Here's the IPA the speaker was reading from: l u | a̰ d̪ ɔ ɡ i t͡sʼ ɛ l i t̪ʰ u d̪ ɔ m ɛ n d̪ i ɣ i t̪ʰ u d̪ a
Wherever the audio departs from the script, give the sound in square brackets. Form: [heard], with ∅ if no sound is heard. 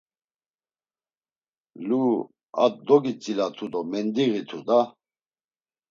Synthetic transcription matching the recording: l u | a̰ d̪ ɔ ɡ i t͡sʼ [i] l [a] t̪ʰ u d̪ ɔ m ɛ n d̪ i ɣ i t̪ʰ u d̪ a